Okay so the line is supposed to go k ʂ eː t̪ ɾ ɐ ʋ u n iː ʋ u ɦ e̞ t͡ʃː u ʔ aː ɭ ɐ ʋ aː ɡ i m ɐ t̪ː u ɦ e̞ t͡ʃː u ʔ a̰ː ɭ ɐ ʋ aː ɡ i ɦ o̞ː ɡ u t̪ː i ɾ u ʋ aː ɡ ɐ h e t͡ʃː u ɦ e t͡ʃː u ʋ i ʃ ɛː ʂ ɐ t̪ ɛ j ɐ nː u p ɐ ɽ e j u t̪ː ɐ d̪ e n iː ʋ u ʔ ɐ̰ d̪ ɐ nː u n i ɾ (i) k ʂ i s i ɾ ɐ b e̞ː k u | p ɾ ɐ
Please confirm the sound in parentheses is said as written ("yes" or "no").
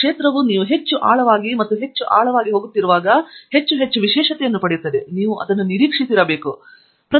no